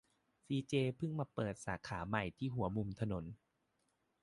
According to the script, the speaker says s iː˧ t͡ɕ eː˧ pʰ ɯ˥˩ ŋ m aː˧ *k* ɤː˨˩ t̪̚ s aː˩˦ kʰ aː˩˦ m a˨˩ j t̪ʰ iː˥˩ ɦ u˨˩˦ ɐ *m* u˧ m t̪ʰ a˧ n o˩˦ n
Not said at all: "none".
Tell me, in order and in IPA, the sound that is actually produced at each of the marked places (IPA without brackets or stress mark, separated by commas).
p, m